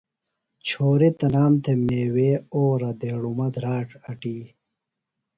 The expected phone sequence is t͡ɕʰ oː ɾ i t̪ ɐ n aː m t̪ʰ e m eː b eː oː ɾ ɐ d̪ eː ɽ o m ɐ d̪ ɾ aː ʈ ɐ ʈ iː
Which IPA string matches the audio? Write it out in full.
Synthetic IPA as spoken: t͡ɕʰ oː ɾ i t̪ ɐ n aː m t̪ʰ e m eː w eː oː ɾ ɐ d̪ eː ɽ u m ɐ d̪ ɾ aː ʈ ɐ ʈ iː